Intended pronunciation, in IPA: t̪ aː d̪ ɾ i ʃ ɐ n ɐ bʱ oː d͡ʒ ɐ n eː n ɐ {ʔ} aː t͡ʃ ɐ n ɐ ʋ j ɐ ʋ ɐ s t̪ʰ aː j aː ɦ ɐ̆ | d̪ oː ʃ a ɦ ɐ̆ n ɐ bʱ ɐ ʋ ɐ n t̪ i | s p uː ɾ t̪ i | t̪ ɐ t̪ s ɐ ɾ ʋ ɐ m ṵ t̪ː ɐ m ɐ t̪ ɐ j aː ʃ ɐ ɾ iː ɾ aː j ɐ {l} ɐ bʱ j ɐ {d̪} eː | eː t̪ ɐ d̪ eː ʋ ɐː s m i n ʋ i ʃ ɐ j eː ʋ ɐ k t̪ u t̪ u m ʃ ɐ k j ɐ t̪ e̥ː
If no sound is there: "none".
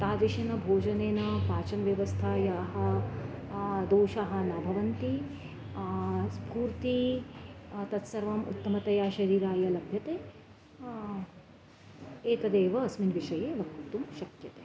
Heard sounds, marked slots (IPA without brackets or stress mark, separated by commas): p, l, t̪